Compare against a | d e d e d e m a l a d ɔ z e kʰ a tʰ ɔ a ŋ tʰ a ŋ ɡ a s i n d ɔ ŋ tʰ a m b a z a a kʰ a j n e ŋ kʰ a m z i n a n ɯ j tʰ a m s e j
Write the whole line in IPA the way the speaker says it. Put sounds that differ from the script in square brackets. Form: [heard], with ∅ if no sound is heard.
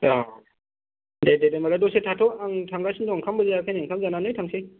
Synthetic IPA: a | d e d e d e m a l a d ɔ [s] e [tʰ] a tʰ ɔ a ŋ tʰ a ŋ ɡ a s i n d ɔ ŋ [kʰ] a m b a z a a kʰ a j n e ŋ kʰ a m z [a] n a n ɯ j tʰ a [ŋ] s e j